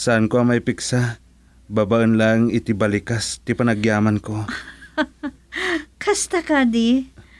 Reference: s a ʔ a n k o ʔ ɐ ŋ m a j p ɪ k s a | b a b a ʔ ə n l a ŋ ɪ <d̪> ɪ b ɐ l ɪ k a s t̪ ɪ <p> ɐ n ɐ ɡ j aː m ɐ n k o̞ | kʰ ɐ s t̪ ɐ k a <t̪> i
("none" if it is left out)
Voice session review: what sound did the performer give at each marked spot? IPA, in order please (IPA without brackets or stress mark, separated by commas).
t̪, p, d̪